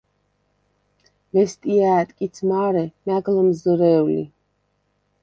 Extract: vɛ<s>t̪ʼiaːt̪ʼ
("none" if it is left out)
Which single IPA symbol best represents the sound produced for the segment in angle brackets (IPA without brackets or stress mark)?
s